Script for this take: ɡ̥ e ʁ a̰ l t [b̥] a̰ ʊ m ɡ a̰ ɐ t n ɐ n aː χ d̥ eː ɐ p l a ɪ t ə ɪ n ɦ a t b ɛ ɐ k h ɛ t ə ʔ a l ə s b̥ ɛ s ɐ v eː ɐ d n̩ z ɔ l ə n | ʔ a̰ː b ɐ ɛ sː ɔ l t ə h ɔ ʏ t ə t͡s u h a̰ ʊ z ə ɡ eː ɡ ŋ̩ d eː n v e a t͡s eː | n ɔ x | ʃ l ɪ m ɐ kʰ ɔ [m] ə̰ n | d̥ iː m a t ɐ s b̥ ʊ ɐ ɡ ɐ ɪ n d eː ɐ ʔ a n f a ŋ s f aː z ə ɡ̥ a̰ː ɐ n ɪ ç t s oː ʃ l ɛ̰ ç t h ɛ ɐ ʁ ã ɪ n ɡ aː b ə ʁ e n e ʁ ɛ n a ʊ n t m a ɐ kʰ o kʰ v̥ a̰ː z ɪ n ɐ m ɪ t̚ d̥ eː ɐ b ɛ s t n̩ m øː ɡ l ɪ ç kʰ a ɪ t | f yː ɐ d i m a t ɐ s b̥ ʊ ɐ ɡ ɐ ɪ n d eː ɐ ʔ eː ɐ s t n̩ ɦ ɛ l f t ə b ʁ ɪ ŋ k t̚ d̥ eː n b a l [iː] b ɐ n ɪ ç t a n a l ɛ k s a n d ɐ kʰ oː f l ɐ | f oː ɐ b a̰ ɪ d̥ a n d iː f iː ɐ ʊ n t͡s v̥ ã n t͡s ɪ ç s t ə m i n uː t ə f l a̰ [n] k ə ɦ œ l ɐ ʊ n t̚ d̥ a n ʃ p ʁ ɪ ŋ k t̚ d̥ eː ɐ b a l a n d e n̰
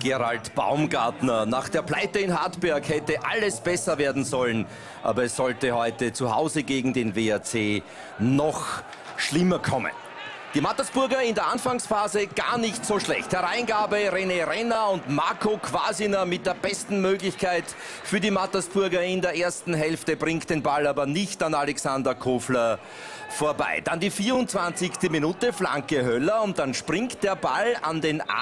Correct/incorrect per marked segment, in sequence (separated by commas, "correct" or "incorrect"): correct, correct, incorrect, incorrect